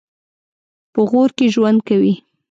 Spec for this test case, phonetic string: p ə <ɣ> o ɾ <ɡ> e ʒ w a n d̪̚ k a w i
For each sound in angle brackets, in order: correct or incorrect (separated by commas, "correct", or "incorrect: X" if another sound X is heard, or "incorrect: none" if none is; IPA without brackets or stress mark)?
correct, incorrect: k